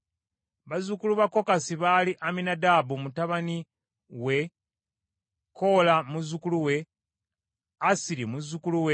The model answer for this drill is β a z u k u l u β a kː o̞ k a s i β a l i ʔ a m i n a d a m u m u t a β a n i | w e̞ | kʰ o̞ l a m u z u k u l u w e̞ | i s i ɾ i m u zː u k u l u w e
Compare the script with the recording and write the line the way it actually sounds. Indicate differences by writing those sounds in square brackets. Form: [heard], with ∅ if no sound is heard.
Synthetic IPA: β a z u k u l u β a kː o̞ k a s i β a l i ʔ a m i n a d a [b] u m u t a β a n i | w e̞ | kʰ o̞ l a m u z u k u l u w e̞ | [a] s i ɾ i m u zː u k u l u w e